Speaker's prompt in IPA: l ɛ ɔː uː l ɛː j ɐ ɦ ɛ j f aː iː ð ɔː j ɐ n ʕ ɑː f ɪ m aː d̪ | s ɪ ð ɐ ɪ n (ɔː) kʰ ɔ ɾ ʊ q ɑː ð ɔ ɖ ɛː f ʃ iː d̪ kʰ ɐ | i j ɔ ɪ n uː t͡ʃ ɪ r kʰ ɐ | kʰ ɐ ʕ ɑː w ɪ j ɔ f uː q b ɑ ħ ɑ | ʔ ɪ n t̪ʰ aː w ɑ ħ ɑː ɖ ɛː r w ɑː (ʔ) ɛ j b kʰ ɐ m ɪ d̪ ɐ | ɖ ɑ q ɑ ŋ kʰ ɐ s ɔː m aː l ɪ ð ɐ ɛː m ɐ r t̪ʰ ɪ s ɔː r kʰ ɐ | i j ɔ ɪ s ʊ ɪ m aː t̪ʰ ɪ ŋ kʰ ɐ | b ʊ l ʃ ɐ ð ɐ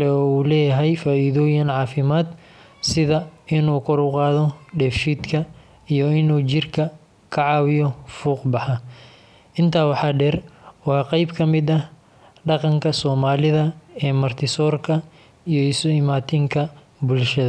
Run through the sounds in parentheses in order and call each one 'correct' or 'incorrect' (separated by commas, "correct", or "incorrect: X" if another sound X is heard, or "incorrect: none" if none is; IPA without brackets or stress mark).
incorrect: uː, incorrect: q